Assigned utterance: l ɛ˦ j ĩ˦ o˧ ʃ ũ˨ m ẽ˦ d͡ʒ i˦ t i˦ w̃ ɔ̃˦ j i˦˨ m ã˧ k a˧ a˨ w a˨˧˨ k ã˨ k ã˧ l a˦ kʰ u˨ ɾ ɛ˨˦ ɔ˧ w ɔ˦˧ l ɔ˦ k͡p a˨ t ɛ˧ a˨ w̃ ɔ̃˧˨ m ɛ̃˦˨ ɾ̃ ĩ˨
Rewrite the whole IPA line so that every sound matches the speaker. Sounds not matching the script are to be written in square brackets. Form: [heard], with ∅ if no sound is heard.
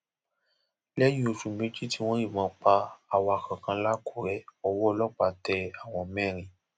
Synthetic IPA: l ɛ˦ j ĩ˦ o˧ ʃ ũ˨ m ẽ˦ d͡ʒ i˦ t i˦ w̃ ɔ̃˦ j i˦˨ m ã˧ [k͡p] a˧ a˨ w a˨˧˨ k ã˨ k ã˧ l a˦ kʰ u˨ ɾ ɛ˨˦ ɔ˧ w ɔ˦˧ l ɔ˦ k͡p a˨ t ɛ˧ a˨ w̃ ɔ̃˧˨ m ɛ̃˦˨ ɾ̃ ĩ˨